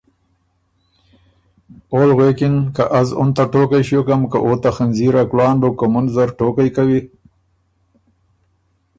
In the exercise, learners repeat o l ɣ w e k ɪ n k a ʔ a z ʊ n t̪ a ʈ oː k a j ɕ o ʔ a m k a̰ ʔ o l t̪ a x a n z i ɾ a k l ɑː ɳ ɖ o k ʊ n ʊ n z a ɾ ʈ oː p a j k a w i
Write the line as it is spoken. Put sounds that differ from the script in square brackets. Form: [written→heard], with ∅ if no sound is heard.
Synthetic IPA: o l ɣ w e k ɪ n k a ʔ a z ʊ n t̪ a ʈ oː k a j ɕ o [ʔ→k] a m k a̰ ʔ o [l→∅] t̪ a x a n z i ɾ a k l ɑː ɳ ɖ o k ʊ [n→m] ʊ n z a ɾ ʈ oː [p→k] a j k a w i